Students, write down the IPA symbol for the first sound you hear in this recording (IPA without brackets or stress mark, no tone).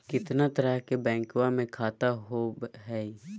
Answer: k